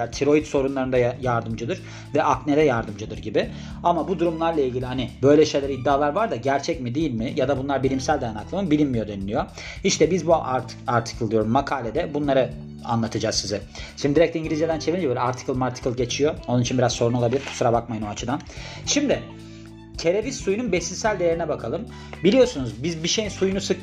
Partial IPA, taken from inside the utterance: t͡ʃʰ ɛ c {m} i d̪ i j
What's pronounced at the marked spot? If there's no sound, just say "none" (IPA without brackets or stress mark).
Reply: m